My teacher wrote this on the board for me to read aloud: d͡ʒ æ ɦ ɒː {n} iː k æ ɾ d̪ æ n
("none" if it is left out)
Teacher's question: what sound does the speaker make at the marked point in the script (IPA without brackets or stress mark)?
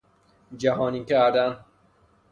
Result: n